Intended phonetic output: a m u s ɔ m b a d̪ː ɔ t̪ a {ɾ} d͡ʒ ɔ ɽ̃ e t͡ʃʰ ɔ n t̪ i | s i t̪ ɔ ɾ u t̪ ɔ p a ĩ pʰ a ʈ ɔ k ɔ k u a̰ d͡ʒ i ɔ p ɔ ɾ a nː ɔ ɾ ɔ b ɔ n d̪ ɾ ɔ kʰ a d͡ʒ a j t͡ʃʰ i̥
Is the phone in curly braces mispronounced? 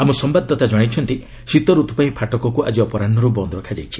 yes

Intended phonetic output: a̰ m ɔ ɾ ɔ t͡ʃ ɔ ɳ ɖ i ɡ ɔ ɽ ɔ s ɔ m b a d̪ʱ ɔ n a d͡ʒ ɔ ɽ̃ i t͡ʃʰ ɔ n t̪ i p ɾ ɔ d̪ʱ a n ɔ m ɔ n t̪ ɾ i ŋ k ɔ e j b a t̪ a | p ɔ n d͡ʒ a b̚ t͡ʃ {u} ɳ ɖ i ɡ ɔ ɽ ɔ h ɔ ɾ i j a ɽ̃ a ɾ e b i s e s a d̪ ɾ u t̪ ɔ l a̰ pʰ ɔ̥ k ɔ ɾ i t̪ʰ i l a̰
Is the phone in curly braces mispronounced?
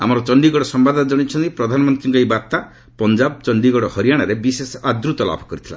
yes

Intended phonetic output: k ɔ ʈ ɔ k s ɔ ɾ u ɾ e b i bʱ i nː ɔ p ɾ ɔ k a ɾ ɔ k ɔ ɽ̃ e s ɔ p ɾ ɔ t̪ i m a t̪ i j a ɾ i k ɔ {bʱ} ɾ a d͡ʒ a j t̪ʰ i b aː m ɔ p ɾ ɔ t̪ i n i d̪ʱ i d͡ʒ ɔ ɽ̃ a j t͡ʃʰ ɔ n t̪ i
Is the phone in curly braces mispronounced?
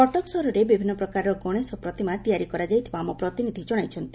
yes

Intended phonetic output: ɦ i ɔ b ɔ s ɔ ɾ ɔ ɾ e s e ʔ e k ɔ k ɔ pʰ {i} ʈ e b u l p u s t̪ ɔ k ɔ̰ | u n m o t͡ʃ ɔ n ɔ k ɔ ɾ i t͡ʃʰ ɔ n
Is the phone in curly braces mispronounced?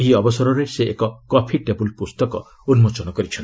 no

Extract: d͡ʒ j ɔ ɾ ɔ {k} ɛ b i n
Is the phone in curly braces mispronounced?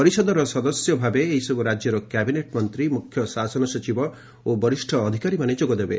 no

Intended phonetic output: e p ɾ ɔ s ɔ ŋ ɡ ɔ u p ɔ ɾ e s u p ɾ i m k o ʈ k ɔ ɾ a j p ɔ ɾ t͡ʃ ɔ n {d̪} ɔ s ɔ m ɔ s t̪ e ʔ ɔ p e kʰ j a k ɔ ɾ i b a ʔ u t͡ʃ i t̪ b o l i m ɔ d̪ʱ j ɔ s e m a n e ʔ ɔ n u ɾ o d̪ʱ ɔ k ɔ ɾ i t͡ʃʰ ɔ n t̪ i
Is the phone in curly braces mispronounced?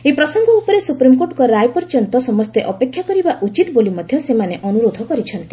yes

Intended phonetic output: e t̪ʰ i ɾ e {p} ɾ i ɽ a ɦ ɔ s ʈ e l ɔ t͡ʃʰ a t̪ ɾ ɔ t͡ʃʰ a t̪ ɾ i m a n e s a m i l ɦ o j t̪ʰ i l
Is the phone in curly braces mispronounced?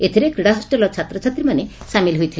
yes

